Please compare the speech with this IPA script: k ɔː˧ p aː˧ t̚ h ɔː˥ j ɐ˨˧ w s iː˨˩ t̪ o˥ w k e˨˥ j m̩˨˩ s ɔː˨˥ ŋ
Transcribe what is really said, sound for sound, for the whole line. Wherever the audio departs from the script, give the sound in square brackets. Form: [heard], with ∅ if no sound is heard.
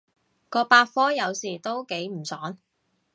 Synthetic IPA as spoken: k ɔː˧ p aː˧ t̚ [f] ɔː˥ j ɐ˨˧ w s iː˨˩ t̪ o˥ w k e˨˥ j m̩˨˩ s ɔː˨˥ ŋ